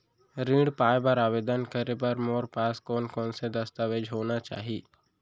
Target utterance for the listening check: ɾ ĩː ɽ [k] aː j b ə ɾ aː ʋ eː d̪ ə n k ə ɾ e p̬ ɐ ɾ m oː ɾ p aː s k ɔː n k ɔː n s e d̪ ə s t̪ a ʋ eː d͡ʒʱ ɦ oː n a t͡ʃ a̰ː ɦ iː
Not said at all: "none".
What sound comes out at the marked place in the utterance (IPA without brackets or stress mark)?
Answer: p